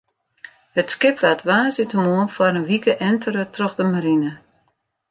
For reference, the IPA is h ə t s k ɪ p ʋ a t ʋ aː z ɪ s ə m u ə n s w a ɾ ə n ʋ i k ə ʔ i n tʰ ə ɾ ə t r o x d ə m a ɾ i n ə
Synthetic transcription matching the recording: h ə t s k ɪ p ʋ a t ʋ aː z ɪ t ə m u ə n f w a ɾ ə n ʋ i k ə ʔ ɛ n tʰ ə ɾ ə t r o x d ə m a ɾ i n ə